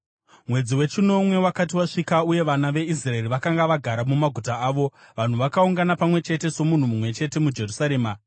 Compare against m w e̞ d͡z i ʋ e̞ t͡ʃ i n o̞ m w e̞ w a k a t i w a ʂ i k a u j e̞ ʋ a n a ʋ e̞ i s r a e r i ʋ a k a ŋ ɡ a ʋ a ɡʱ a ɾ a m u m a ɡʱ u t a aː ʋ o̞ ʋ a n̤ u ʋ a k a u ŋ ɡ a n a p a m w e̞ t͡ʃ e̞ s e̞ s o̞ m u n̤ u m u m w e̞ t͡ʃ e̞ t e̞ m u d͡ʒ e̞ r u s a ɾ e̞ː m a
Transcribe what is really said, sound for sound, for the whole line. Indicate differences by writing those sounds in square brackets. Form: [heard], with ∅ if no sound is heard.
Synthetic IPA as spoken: m w e̞ d͡z i [w] e̞ t͡ʃ i n o̞ m w e̞ w a k a t i w a ʂ i k a u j e̞ ʋ a n a ʋ e̞ i s r a e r i ʋ a k a ŋ ɡ a ʋ a ɡʱ a ɾ a m u m a ɡʱ u t a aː ʋ o̞ ʋ a n̤ u ʋ a k a u ŋ ɡ a n a p a m w e̞ t͡ʃ e̞ [t] e̞ s o̞ m u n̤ u m u m w e̞ t͡ʃ e̞ t e̞ m u d͡ʒ e̞ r u s a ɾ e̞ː m a